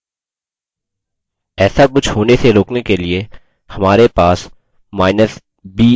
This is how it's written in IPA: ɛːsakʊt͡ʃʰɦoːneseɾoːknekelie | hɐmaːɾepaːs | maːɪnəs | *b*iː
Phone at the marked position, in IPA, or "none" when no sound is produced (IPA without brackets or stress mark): b